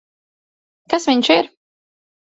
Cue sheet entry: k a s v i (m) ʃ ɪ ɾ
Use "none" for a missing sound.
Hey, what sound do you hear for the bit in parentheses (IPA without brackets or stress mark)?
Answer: ɲ